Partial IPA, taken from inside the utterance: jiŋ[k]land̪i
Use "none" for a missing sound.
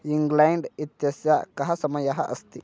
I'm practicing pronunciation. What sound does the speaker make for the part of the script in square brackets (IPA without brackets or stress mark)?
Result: ɡ